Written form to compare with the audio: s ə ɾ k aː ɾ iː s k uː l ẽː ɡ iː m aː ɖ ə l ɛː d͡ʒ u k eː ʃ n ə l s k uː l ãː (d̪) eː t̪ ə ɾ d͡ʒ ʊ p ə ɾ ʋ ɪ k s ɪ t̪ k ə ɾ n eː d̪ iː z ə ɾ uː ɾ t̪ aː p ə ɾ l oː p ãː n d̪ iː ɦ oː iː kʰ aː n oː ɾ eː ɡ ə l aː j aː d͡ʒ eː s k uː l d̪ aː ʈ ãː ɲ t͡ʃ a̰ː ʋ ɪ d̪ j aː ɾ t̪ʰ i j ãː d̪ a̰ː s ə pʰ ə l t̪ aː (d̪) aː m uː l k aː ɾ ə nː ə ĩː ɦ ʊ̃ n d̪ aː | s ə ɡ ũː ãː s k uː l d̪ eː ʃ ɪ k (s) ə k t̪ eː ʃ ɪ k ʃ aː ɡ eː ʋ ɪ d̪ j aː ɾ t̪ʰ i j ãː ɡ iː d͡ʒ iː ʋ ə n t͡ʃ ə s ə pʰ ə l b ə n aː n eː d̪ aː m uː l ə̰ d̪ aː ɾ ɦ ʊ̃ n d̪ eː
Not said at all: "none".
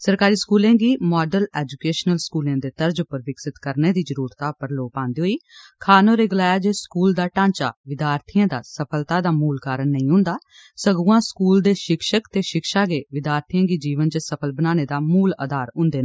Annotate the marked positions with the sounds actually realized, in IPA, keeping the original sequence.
d̪, d̪, ʃ

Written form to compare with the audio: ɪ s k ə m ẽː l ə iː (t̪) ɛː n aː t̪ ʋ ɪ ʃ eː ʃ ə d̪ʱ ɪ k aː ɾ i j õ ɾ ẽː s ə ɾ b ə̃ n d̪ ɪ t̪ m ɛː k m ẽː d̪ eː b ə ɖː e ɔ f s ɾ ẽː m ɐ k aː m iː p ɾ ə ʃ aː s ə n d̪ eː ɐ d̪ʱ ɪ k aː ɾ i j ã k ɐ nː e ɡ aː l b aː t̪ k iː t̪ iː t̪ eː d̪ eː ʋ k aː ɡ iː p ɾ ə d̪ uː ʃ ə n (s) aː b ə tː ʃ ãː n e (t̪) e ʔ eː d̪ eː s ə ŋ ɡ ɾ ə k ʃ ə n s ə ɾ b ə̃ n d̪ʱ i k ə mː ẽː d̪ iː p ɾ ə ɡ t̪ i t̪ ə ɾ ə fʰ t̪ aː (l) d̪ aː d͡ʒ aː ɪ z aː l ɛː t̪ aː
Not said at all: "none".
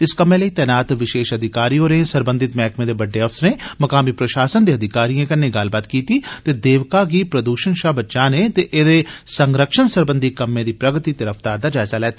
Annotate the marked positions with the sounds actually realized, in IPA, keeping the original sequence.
t̪, ʃ, t̪, ɾ

